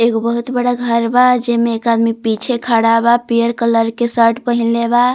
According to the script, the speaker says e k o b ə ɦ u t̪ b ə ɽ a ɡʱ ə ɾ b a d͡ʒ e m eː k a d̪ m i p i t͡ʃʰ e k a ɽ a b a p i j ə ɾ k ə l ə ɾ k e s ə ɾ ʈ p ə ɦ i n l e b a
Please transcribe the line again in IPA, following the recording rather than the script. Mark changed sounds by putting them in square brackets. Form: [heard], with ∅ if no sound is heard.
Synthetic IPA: e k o b ə ɦ u t̪ b ə ɽ a ɡʱ ə ɾ b a d͡ʒ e m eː k a d̪ m i p i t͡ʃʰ e [kʰ] a ɽ a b a p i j ə ɾ k ə l ə ɾ k e s ə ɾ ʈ p ə ɦ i n l e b a